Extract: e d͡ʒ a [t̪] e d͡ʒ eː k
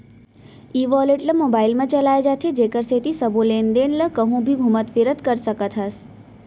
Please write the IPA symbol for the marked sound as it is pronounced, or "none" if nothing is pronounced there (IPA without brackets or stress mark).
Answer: t̪ʰ